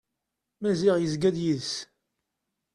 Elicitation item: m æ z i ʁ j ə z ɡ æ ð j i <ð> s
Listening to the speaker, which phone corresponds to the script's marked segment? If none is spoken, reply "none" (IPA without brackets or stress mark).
ð